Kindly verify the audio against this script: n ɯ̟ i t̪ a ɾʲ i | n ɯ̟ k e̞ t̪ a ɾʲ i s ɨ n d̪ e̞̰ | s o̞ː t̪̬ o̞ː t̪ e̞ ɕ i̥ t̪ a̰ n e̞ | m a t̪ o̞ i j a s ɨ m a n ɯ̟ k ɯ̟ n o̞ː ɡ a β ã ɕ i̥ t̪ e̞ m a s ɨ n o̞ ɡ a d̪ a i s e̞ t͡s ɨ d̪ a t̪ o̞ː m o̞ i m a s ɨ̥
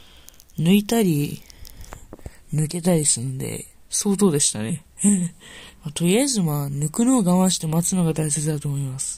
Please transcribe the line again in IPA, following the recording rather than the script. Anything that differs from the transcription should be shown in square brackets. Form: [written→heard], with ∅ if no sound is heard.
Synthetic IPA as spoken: n ɯ̟ i t̪ a ɾʲ i | n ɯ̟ k e̞ t̪ a ɾʲ i s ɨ n d̪ e̞̰ | s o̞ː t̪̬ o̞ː [t̪→d̪] e̞ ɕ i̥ t̪ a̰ n e̞ | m a t̪ o̞ i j a [s→z] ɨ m a n ɯ̟ k ɯ̟ n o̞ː ɡ a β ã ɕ i̥ t̪ e̞ m a [s→t͡s] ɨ n o̞ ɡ a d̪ a i s e̞ t͡s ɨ d̪ a t̪ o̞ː m o̞ i m a s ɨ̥